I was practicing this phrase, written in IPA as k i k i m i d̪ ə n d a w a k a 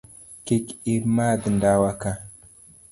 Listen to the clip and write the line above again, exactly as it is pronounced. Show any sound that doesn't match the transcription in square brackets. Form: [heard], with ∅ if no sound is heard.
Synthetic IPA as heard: k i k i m [a] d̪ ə n d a w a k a